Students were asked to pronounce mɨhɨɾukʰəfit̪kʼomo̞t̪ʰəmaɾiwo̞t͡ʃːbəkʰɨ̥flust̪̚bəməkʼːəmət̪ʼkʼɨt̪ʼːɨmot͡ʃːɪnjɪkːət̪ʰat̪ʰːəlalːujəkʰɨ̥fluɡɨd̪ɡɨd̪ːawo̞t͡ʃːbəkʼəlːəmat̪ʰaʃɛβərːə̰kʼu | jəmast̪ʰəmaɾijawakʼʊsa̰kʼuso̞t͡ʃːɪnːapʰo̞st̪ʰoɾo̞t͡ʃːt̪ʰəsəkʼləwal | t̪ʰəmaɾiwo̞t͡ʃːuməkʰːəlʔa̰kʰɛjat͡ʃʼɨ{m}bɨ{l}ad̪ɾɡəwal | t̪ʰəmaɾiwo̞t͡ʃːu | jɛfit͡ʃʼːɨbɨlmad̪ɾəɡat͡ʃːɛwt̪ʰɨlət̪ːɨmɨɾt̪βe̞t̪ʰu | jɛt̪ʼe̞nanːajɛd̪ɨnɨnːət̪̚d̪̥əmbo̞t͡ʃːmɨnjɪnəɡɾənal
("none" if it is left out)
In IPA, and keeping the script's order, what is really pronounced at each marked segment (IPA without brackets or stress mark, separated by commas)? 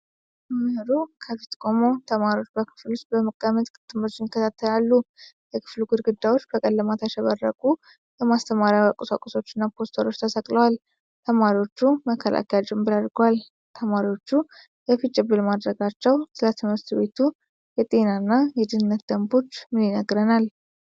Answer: m, ɾ